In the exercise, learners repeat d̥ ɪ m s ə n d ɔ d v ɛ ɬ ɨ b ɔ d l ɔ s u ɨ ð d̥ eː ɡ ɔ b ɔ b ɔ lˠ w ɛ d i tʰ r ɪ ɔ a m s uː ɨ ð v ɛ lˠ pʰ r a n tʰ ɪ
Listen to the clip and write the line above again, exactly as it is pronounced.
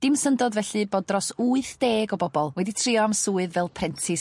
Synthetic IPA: d̥ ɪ m s ə n d ɔ d v ɛ ɬ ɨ b ɔ d r ɔ s u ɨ θ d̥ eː ɡ ɔ b ɔ b ɔ lˠ w ɛ d i tʰ r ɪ ɔ a m s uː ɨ ð v ɛ lˠ pʰ r ɛ n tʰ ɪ